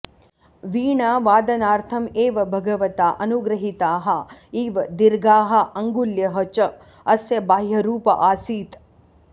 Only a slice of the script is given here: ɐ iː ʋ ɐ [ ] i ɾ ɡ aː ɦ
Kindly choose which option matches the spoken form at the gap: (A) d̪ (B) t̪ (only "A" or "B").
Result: A